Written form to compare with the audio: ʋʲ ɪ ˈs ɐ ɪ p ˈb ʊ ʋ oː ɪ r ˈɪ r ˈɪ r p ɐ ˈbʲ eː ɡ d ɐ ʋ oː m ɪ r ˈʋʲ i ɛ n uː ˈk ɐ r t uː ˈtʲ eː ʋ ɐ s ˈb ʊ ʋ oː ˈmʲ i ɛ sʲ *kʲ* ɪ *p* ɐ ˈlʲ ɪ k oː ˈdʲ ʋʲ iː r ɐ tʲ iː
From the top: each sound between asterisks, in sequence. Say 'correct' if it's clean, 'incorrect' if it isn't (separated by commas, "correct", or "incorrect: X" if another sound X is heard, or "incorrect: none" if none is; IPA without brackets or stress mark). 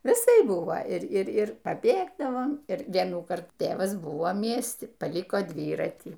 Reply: incorrect: tʲ, correct